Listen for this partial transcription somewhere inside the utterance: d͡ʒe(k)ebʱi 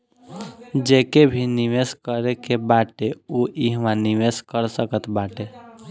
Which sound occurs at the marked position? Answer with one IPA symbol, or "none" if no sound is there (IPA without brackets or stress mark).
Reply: k